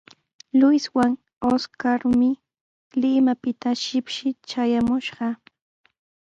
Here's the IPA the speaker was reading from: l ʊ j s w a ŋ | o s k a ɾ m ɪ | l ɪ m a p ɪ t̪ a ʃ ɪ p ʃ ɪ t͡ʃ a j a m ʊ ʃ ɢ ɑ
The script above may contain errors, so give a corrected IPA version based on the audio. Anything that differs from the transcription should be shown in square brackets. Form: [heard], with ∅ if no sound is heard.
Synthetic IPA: l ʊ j s w a ŋ | o s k a ɾ m ɪ | l ɪ m a p ɪ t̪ a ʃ ɪ p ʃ ɪ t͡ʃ a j a m ʊ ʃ ɢ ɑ